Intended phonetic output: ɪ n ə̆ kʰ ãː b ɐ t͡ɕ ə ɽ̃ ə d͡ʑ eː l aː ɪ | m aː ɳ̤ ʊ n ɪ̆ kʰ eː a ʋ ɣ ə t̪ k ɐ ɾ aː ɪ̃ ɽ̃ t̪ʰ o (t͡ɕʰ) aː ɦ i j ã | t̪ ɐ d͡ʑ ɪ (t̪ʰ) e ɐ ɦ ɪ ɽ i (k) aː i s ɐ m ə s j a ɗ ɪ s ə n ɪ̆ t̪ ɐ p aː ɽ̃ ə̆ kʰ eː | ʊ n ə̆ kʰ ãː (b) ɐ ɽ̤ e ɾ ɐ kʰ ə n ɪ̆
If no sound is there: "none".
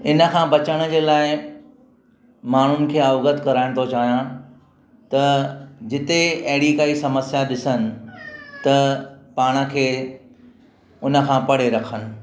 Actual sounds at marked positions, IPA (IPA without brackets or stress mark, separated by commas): t͡ɕ, t̪, k, p